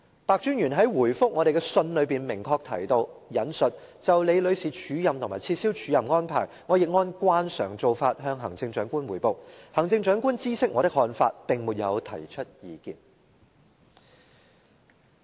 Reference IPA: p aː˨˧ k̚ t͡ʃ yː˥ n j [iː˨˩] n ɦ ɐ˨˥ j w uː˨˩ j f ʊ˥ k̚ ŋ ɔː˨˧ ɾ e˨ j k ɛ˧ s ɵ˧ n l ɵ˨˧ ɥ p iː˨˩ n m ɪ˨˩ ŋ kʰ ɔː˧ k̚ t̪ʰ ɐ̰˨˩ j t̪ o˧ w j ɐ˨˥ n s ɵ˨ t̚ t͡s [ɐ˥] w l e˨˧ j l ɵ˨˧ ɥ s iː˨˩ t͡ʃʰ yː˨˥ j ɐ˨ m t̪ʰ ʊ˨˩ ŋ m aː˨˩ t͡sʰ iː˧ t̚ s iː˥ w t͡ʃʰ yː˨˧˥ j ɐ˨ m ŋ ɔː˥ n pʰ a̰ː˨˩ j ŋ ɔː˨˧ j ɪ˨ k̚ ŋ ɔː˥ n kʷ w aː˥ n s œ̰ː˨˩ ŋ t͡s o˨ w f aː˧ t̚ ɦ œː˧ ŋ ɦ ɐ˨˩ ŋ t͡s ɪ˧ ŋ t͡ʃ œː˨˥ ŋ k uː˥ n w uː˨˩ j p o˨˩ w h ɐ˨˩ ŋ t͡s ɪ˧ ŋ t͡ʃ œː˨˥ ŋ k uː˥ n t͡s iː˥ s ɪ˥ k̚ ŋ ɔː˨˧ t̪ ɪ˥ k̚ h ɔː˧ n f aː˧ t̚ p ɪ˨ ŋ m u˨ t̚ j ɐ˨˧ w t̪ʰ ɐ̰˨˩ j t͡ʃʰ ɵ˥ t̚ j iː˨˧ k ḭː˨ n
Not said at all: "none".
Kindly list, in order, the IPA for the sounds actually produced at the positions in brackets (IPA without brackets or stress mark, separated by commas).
yː˨˩, ɐ˨